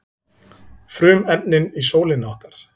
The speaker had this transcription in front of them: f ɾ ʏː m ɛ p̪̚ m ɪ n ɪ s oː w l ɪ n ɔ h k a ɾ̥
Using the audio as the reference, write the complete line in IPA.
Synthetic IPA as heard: f ɾ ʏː m ɛ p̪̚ n ɪ n i s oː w l ɪ n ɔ h k a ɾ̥